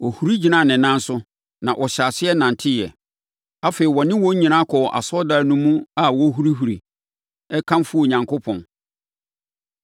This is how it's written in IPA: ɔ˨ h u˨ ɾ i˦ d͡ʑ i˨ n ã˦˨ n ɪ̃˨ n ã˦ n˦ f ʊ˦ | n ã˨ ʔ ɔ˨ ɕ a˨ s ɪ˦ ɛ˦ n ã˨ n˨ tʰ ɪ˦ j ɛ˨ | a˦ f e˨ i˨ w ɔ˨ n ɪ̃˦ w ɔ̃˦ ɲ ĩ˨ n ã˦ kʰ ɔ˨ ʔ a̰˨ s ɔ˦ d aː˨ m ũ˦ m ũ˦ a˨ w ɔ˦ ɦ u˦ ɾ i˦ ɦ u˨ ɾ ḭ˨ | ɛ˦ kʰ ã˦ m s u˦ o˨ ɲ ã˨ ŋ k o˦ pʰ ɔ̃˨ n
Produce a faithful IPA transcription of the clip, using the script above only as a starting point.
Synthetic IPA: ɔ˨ h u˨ ɾ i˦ d͡ʑ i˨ n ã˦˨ n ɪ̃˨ n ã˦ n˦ s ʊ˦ | n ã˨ ʔ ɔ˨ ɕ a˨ s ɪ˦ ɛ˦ n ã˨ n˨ tʰ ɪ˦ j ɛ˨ | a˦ f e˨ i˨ w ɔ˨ n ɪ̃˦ w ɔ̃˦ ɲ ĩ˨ n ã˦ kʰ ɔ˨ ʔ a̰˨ s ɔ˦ d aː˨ n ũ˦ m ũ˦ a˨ w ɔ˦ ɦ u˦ ɾ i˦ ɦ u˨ ɾ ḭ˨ | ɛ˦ kʰ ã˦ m f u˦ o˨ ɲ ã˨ ŋ k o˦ pʰ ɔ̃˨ n